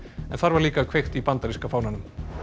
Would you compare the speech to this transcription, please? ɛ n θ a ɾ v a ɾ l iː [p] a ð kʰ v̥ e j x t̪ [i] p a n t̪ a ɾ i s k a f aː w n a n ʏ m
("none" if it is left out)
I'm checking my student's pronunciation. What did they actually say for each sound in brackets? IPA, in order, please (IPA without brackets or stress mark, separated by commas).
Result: k, i